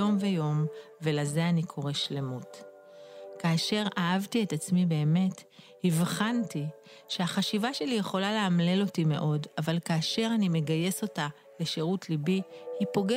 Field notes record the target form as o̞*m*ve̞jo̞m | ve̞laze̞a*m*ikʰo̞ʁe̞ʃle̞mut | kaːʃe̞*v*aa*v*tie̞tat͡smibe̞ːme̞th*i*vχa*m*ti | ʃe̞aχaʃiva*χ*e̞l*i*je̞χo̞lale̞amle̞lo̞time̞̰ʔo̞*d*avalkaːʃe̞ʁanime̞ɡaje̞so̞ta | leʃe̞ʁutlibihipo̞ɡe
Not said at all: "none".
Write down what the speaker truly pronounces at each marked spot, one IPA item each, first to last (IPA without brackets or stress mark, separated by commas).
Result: m, n, ʁ, v, i, n, ʃ, i, d